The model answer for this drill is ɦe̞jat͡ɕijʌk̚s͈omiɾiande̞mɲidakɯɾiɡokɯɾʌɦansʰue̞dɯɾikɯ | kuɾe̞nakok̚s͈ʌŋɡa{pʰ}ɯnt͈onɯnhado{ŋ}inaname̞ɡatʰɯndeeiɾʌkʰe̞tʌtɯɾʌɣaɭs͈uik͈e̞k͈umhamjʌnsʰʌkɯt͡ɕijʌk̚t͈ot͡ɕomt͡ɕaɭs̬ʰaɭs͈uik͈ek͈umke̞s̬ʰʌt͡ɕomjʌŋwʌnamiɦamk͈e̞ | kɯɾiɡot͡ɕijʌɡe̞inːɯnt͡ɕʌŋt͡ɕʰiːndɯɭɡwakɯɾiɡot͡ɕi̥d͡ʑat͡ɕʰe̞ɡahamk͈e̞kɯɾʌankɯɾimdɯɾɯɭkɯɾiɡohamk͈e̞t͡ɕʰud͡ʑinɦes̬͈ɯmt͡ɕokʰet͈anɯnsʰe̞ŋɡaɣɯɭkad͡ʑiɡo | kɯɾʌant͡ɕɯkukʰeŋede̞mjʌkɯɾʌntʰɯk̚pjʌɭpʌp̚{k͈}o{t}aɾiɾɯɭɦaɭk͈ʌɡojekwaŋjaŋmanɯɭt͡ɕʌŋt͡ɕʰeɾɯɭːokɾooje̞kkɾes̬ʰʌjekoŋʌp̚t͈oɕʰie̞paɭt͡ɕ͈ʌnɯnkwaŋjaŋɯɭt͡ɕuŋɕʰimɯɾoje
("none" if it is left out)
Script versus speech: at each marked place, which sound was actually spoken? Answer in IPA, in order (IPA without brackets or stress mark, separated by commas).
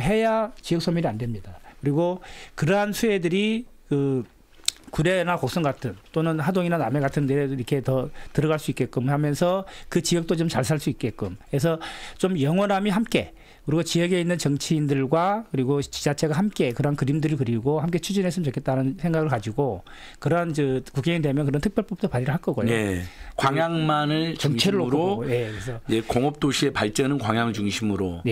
tʰ, ŋ, t͈, p